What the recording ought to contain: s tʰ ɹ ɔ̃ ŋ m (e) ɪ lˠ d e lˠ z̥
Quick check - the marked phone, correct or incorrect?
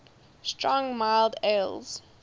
incorrect